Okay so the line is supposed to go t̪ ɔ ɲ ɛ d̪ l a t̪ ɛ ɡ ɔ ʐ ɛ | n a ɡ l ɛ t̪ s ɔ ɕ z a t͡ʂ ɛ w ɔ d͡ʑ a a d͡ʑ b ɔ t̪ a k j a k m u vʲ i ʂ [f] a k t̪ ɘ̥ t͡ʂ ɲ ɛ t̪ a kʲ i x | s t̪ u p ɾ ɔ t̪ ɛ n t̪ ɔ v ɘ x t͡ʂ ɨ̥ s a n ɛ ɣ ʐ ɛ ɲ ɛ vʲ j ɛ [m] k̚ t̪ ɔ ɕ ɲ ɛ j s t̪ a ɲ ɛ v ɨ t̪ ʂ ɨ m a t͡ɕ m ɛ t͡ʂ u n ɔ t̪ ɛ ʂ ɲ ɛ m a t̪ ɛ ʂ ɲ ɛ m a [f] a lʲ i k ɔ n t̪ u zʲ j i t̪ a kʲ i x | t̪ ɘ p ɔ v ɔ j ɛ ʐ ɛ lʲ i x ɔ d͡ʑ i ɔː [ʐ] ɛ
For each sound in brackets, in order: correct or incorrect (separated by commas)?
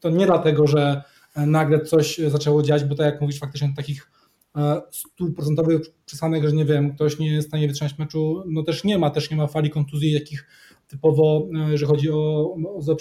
correct, correct, correct, incorrect